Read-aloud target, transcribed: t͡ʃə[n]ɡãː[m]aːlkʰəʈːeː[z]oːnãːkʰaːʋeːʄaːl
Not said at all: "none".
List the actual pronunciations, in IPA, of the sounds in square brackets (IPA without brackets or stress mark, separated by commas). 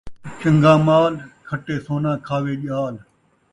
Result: ŋ, m, s